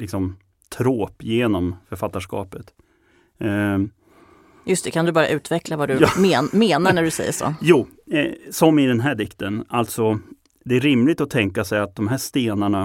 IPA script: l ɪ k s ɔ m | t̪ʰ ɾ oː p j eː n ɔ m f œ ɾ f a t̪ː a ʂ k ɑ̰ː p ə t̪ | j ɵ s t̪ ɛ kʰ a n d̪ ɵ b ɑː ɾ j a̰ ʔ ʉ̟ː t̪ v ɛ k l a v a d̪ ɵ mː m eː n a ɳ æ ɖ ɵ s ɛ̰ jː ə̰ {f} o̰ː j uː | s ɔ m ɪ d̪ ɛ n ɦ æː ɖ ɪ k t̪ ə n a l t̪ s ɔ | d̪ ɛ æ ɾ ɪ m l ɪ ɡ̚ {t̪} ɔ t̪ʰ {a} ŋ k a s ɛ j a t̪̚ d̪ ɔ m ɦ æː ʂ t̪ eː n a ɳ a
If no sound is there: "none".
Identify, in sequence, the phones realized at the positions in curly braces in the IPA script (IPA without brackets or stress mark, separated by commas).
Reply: ʂ, t̪, ɛ